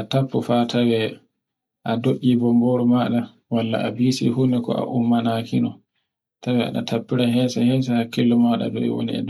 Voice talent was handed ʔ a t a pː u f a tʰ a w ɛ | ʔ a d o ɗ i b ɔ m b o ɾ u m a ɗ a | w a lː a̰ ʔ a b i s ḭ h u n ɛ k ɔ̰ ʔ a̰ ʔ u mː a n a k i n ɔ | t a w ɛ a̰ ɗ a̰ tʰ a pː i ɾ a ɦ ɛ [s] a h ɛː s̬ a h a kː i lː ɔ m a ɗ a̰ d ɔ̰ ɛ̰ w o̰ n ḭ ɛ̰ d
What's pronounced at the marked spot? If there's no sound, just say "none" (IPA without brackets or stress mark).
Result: s